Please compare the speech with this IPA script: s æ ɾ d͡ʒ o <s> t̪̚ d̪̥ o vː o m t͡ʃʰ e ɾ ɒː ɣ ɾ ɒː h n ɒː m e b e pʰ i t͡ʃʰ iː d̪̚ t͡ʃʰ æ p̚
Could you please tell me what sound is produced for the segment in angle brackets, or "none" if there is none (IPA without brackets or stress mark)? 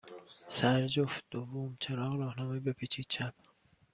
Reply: f